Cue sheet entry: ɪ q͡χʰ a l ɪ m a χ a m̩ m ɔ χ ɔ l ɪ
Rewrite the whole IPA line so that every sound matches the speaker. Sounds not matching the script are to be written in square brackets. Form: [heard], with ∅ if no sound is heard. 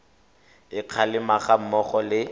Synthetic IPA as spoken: ɪ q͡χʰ a l ɪ m a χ a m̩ m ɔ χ ɔ l ɪ